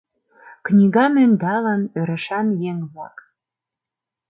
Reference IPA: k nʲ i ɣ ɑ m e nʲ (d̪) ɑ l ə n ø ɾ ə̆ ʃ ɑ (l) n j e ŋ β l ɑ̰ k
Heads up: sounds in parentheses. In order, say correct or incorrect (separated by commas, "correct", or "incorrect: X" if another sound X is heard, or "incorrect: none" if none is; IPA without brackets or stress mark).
correct, incorrect: none